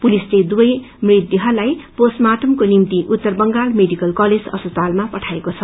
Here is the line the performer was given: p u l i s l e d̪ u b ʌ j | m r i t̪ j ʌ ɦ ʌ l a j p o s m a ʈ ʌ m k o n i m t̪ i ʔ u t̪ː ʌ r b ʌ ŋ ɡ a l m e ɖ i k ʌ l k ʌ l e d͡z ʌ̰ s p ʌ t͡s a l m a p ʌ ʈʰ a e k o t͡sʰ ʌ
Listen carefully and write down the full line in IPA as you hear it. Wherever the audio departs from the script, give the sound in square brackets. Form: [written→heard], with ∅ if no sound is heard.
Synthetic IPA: p u l i s l e d̪ u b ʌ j | m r i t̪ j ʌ ɦ ʌ l a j p o s m a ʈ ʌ m k o n i m t̪ i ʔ u t̪ː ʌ r b ʌ ŋ ɡ a l m e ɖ i k ʌ l k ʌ l e d͡z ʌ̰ s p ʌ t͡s a l m a p ʌ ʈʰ a e k o t͡sʰ ʌ